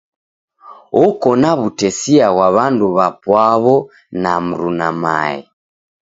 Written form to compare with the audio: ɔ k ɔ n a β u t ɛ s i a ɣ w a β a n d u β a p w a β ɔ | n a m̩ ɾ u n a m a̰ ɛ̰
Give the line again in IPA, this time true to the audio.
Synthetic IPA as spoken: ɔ k ɔ n a β u t ɛ s i a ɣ w a β a n d u β a p w a β ɔ | n a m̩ ɾ u n a m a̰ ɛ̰